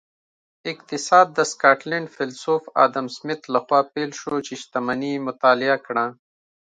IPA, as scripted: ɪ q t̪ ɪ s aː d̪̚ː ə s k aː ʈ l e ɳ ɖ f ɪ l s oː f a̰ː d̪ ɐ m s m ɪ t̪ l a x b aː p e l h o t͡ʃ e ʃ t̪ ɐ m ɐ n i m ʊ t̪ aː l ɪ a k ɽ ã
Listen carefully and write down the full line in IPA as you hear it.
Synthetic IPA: ɪ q t̪ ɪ s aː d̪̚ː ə s k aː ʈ l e ɳ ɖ f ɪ l s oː f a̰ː d̪ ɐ m s m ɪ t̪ l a x w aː p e l ʃ o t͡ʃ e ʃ t̪ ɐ m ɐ n i m ʊ t̪ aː l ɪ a k ɽ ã